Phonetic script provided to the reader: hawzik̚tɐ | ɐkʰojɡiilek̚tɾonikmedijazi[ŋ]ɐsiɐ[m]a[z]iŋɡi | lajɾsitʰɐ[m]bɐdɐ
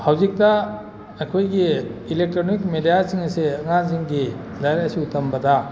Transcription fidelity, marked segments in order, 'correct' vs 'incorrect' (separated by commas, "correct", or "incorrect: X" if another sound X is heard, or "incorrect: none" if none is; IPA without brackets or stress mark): correct, incorrect: ŋ, correct, correct